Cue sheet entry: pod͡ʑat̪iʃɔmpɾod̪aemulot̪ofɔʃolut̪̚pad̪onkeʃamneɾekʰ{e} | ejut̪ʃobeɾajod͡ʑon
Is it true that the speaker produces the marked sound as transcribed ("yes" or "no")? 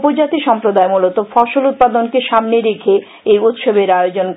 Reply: yes